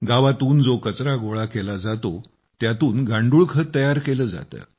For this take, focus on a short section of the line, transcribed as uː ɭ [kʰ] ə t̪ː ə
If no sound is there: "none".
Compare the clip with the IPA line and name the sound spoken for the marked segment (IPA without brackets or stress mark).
kʰ